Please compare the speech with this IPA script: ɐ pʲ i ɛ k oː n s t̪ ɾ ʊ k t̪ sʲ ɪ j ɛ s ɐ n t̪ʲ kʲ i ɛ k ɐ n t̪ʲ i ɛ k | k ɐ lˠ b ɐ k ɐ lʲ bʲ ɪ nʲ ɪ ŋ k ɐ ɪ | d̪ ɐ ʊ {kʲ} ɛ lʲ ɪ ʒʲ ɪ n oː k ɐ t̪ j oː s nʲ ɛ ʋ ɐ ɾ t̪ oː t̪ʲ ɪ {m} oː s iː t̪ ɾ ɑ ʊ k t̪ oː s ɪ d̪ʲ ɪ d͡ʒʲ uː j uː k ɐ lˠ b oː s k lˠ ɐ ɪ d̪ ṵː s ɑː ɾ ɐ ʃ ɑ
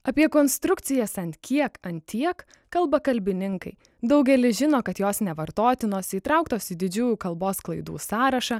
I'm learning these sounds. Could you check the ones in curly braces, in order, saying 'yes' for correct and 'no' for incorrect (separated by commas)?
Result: no, no